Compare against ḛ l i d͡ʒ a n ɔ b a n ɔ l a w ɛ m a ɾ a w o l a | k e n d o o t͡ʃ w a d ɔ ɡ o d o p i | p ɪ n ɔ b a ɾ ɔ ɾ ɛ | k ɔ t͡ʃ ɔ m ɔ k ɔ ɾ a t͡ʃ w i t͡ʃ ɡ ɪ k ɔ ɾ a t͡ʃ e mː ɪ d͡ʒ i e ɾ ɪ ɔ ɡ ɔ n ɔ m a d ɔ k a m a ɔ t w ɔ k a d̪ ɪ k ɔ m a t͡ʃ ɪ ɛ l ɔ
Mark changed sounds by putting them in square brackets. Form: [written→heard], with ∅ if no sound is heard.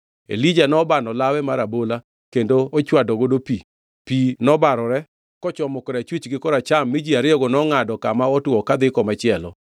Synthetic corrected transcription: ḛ l i d͡ʒ a n ɔ b a n ɔ l a w ɛ m a ɾ a [w→b] o l a | k e n d o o t͡ʃ w a d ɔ ɡ o d o p i | p [ɪ→i] n ɔ b a ɾ ɔ ɾ ɛ | k ɔ t͡ʃ ɔ m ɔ k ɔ ɾ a t͡ʃ w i t͡ʃ ɡ ɪ k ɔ ɾ a t͡ʃ [e→a] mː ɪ d͡ʒ i [e→a] ɾ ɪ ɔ ɡ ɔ n ɔ [m→ŋ] a d ɔ k a m a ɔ t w ɔ k a d̪ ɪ k ɔ m a t͡ʃ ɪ ɛ l ɔ